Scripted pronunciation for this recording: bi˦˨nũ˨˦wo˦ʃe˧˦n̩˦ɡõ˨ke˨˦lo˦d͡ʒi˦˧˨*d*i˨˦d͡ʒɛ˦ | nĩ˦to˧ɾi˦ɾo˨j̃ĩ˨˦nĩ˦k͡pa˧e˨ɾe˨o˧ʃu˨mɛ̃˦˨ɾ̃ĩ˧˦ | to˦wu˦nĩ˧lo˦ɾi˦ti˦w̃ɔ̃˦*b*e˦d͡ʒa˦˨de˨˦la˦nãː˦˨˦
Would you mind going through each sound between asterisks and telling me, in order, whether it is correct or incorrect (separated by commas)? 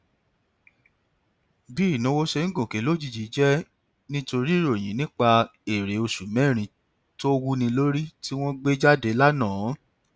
incorrect, incorrect